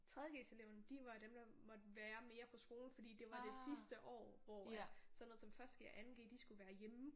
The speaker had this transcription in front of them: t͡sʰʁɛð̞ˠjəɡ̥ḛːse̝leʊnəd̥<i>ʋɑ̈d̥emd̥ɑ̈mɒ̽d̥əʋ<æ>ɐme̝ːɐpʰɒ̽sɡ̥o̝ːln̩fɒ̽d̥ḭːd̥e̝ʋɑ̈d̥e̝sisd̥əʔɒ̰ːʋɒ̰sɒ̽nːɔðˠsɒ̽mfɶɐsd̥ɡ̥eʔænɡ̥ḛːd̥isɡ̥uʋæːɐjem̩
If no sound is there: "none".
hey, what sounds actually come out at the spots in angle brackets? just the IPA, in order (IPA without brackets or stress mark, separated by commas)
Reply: i, æː